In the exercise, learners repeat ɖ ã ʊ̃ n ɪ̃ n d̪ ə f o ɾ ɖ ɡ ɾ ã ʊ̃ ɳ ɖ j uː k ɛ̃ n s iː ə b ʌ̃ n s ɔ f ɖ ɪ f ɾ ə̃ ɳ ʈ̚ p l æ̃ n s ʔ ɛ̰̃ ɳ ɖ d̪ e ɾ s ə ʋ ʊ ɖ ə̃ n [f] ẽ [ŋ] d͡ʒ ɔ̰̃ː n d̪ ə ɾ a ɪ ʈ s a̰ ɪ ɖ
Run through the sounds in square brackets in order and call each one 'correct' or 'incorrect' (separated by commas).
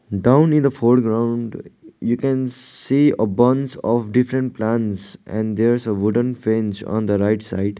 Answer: correct, incorrect